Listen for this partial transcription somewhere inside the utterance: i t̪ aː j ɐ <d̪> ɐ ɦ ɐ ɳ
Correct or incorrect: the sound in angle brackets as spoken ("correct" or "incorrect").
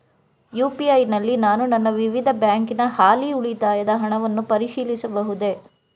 correct